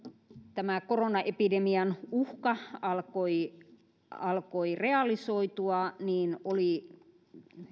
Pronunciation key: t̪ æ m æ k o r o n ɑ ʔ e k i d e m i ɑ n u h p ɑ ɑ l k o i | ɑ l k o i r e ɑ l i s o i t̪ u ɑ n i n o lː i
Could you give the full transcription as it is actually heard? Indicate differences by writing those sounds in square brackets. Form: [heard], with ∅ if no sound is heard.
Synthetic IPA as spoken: t̪ æ m æ k o r o n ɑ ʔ e [p] i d e m i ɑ n u h [k] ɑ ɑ l k o i | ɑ l k o i r e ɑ l i s o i t̪ u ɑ n [iː] n o [l] i